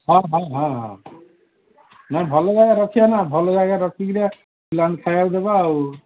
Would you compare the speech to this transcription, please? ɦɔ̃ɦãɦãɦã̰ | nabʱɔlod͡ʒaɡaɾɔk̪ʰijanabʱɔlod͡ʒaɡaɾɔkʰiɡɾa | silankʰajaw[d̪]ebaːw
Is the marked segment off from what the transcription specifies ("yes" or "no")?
no